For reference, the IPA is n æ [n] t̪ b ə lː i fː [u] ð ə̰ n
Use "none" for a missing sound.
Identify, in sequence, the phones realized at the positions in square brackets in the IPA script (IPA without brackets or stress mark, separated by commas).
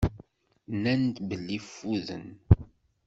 n, u